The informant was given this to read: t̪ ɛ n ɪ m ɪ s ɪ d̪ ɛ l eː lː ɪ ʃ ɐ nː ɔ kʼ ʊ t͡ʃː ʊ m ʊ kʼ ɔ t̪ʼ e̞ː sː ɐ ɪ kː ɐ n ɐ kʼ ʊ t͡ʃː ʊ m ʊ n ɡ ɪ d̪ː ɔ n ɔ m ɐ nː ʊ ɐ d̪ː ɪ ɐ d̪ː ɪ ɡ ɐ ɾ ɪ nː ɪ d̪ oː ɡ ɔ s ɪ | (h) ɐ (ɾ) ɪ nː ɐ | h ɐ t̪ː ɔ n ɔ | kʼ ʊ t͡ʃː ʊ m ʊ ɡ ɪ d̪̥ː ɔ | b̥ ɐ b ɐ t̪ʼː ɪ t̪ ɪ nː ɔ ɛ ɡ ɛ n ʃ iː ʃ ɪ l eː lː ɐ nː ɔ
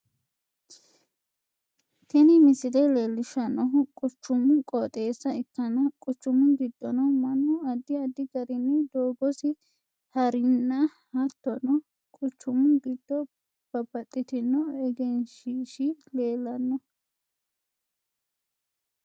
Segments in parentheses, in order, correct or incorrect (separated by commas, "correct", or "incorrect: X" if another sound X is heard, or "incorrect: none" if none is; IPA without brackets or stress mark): correct, correct